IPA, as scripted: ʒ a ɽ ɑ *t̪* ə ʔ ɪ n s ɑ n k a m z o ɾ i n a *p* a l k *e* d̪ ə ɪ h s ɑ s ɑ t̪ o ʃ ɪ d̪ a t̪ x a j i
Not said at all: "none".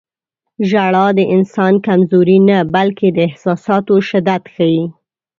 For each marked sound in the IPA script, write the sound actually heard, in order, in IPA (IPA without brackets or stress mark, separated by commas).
d̪, b, e